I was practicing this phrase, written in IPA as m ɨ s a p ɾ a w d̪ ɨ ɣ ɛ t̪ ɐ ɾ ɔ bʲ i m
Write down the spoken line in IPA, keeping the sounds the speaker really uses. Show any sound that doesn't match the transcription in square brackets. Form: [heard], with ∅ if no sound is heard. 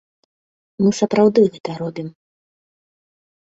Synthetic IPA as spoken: m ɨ s [ɐ] p ɾ a w d̪ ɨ ɣ ɛ t̪ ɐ ɾ ɔ bʲ i m